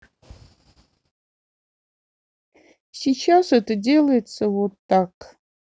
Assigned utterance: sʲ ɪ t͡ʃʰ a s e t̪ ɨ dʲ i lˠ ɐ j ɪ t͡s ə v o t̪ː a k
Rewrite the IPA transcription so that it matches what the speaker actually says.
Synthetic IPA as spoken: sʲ i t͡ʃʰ a s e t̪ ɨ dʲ e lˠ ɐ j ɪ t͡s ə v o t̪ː a k

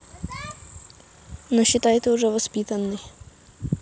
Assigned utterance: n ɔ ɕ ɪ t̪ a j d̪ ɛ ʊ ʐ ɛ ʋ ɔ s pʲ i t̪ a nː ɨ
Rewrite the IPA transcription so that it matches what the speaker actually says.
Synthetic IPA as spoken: n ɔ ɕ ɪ t̪ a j t̪ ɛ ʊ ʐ ɛ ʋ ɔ s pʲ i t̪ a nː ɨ

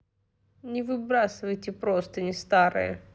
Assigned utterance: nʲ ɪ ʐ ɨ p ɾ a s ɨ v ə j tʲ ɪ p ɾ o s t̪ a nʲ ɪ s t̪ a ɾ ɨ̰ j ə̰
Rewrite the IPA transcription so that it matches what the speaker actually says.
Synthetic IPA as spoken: nʲ ɪ v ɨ b ɾ a s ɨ v ə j tʲ ɪ p ɾ o s t̪ ə nʲ ɪ s t̪ a ɾ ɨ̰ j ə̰

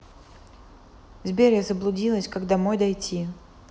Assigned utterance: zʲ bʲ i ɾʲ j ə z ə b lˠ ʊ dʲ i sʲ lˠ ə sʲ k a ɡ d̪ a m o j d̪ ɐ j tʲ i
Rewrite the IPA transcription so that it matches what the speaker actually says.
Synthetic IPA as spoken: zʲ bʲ e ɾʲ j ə z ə b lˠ ʊ dʲ i lˠ ə sʲ k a ɡ d̪ a m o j d̪ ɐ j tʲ i

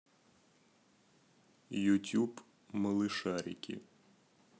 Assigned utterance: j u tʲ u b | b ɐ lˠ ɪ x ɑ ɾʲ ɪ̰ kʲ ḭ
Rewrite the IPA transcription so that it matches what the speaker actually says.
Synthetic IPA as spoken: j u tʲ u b | m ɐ lˠ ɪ ʃ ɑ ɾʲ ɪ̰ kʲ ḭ

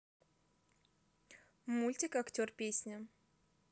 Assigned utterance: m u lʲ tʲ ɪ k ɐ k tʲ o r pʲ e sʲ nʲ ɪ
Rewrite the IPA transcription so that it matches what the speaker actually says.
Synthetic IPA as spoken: m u lʲ tʲ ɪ k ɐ k tʲ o r pʲ e sʲ nʲ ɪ

